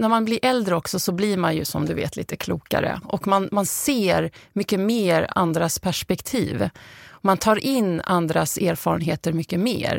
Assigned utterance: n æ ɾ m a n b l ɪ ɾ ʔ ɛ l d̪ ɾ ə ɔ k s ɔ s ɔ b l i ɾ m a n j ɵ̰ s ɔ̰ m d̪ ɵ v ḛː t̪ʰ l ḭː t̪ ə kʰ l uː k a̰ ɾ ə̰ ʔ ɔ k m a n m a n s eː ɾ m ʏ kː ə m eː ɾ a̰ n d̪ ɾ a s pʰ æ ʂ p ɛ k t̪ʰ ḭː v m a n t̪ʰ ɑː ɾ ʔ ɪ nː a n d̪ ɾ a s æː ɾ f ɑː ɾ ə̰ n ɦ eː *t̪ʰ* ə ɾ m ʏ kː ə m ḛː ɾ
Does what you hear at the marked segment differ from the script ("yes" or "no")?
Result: yes